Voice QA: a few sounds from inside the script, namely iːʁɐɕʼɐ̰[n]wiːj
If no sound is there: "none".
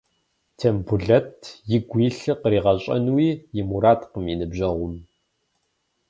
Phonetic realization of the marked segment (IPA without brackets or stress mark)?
n